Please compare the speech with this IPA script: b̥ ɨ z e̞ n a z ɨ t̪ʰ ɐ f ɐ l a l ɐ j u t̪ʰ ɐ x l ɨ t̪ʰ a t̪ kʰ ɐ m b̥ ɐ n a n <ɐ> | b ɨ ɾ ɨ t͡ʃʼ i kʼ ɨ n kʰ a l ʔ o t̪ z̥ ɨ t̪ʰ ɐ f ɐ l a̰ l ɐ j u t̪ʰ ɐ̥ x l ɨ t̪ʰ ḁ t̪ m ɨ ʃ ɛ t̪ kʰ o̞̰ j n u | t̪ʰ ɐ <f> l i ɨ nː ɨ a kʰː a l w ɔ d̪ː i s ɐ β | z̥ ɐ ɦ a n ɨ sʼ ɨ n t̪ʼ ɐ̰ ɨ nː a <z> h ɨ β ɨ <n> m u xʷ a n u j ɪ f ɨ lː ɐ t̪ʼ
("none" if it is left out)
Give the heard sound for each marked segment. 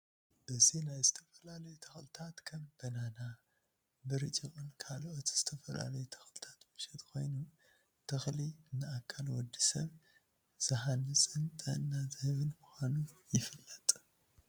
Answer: a, x, z, n

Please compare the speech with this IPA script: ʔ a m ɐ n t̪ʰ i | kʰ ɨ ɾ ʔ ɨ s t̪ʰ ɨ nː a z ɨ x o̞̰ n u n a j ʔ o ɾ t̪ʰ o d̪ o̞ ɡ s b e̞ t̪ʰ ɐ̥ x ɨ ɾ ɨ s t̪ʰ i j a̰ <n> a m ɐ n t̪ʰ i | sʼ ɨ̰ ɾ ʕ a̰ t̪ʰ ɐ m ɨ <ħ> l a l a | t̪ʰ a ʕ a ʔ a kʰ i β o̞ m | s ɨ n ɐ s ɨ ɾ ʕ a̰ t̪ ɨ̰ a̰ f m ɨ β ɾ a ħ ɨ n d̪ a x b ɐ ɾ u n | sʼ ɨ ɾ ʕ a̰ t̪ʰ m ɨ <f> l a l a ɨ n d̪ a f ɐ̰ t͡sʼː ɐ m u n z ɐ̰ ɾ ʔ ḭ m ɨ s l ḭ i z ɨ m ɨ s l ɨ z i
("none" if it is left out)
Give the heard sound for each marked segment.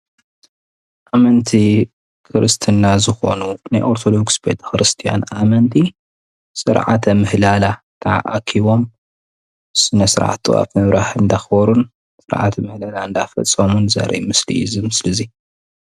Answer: n, h, h

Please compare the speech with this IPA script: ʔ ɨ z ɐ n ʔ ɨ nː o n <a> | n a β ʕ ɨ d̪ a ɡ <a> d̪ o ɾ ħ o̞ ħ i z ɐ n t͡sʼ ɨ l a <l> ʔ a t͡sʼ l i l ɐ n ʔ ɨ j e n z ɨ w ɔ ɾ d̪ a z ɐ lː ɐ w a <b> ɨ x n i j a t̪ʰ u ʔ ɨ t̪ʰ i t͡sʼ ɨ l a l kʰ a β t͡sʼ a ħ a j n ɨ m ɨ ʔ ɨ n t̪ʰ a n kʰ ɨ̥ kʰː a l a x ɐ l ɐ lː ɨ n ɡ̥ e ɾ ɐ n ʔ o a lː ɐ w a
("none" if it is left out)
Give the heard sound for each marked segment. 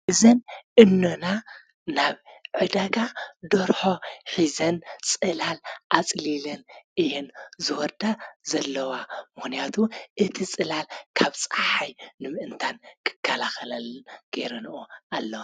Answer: a, a, l, m

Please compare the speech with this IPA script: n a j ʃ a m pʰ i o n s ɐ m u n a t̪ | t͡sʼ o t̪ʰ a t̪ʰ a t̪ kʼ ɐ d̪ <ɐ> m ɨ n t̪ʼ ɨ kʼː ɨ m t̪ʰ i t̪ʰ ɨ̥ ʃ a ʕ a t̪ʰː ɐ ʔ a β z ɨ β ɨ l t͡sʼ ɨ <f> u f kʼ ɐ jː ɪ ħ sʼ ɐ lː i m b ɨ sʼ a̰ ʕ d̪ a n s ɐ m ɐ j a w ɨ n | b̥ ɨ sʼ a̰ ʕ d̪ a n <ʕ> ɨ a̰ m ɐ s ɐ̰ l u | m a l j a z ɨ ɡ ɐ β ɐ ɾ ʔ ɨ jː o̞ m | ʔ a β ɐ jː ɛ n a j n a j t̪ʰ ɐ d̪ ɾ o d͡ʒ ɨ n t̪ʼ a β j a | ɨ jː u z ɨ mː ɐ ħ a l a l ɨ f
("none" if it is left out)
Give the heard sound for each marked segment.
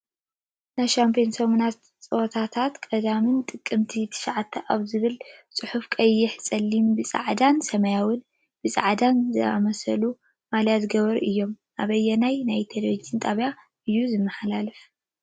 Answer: a, ħ, z

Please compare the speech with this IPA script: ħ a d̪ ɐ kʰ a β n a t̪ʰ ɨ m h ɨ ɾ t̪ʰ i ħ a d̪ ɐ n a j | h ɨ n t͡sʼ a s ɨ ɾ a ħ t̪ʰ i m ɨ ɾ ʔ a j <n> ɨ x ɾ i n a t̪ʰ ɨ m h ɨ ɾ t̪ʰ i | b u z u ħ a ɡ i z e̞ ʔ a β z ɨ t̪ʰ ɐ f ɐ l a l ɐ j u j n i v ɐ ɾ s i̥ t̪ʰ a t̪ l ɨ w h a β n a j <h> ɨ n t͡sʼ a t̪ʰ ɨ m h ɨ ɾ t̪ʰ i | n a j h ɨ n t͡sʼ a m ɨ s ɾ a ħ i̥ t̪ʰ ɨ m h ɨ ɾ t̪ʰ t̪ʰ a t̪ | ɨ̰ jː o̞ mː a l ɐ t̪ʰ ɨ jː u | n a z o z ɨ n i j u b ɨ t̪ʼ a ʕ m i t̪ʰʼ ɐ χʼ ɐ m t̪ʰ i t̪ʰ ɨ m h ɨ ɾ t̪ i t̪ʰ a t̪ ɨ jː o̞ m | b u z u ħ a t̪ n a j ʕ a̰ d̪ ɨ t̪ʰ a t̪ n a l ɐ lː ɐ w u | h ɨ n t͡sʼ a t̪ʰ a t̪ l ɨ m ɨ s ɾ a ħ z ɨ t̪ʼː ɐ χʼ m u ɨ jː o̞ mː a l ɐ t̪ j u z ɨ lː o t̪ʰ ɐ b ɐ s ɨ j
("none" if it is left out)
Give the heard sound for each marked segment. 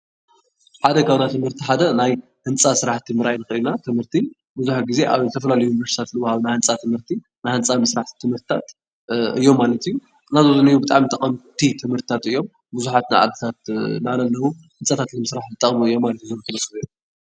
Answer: n, h

